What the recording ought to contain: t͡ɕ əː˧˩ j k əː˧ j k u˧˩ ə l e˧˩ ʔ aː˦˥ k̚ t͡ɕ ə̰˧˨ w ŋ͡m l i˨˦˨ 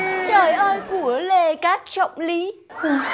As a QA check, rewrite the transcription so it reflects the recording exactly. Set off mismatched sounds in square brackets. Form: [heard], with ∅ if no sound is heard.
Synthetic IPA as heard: t͡ɕ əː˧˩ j [ʔ] əː˧ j k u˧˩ ə l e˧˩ [k] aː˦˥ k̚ t͡ɕ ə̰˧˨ w ŋ͡m l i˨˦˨